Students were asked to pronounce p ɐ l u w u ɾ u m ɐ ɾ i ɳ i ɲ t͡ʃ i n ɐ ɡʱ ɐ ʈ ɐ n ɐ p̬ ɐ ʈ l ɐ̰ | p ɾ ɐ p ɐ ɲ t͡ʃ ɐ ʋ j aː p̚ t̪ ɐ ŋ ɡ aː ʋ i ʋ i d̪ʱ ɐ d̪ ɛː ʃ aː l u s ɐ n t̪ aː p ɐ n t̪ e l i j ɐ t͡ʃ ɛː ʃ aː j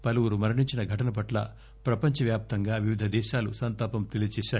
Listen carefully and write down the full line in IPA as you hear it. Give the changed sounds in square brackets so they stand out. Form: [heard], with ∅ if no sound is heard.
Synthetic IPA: p ɐ l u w u ɾ u m ɐ ɾ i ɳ i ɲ t͡ʃ i n ɐ ɡʱ ɐ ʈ ɐ n ɐ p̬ ɐ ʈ l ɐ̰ | p ɾ ɐ p ɐ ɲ t͡ʃ ɐ ʋ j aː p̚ t̪ ɐ ŋ ɡ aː ʋ i ʋ i d̪ʱ ɐ d̪ ɛː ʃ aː l u s ɐ n t̪ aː p ɐ [m] t̪ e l i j ɐ t͡ʃ ɛː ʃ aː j